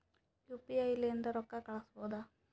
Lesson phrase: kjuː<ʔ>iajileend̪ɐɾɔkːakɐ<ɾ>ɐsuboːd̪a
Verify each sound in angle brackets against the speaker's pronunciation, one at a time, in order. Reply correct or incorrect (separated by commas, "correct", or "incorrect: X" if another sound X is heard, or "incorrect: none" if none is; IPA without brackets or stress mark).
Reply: incorrect: p, incorrect: ɭ